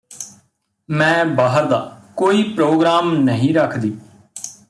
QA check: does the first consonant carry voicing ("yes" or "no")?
yes